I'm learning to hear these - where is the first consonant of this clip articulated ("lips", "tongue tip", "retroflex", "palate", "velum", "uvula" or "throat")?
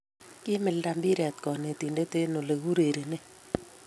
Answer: velum